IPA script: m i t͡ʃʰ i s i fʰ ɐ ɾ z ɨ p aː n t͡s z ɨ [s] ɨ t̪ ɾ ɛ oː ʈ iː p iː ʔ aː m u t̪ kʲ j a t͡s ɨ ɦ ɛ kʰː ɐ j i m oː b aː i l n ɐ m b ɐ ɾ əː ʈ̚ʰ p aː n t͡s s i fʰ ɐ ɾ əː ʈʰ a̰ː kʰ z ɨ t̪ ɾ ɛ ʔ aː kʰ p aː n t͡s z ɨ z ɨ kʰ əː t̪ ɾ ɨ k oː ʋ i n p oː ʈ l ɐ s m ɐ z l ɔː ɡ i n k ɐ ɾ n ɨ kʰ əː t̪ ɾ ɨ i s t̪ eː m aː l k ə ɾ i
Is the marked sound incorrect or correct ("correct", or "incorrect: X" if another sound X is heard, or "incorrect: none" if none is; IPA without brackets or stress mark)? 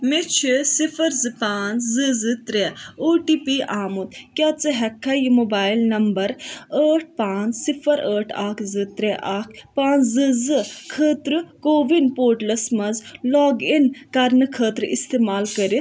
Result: incorrect: z